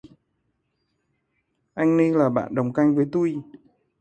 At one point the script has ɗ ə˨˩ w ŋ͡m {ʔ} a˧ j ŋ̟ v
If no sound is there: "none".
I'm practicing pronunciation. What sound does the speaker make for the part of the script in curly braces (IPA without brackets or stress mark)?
k